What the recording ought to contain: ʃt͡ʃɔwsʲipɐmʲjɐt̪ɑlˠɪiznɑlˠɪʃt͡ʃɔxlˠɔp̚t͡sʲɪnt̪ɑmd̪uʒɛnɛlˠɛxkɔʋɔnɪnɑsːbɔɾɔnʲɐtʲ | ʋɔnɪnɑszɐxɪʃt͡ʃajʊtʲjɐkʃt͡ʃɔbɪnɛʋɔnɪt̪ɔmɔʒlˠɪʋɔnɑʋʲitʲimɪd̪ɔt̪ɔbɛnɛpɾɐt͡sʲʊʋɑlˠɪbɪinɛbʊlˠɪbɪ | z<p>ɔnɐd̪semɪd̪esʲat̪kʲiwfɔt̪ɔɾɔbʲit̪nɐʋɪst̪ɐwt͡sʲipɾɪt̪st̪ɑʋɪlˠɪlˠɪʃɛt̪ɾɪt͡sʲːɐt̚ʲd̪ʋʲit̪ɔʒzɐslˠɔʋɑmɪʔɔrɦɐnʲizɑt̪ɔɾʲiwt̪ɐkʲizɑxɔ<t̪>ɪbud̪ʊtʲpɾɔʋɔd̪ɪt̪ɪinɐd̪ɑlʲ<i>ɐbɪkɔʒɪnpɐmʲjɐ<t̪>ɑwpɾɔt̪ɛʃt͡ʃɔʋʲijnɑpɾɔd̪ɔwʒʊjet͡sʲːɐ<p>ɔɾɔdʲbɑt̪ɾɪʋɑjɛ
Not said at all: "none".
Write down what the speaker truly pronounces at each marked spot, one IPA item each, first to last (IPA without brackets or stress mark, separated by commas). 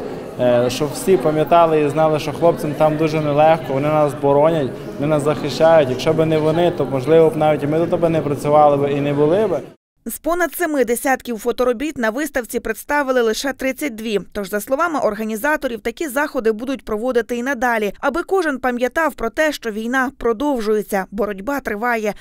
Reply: p, d̪, i, t̪, b